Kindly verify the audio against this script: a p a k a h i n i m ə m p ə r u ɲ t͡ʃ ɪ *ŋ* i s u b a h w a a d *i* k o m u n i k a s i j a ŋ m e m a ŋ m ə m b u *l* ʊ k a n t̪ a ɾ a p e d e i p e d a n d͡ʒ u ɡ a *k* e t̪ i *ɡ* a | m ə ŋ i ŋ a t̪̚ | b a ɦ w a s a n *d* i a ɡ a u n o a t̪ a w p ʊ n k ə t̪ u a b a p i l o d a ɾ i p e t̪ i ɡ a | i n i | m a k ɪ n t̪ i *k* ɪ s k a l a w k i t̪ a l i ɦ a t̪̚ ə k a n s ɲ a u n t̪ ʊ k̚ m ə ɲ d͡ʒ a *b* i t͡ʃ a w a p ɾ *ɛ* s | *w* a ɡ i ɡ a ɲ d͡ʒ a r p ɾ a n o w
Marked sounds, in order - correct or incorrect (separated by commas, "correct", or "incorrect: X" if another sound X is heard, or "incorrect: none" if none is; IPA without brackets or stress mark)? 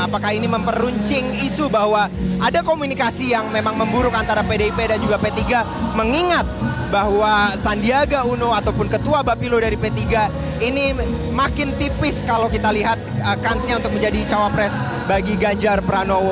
correct, incorrect: a, incorrect: ɾ, incorrect: p, correct, correct, incorrect: p, incorrect: d, correct, incorrect: b